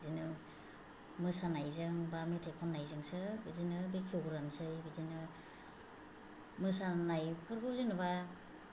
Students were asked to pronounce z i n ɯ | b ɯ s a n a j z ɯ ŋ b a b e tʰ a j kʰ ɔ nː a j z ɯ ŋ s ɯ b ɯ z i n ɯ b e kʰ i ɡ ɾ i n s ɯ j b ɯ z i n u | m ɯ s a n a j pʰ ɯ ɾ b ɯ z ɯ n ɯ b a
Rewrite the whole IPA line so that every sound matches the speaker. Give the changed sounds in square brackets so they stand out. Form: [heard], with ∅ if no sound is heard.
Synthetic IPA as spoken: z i n ɯ | [m] ɯ s a n a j z ɯ ŋ b a [m] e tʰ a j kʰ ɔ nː a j z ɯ ŋ s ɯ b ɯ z i n ɯ b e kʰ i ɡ ɾ [a] n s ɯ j b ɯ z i n [ɯ] | m ɯ s a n a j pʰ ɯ ɾ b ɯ z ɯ n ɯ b a